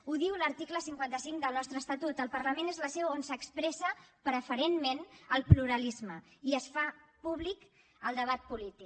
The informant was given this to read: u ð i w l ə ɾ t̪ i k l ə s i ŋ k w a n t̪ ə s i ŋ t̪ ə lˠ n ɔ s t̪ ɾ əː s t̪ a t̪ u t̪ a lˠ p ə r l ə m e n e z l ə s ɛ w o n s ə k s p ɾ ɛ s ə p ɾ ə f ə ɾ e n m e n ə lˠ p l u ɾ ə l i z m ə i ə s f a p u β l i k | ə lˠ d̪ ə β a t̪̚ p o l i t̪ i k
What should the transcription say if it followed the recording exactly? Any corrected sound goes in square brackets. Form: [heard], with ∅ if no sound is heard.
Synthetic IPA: u ð i w l ə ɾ t̪ i k l ə s i ŋ k w a n t̪ ə s i ŋ [d̪] ə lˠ n ɔ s t̪ ɾ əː s t̪ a t̪ u t̪ [ə] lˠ p ə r l ə m e n e z l ə s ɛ w o n s ə k s p ɾ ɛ s ə p ɾ ə f ə ɾ e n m e n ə lˠ p l u ɾ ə l i z m ə i ə s f a p u β l i k | ə lˠ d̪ ə β a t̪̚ p [u] l i t̪ i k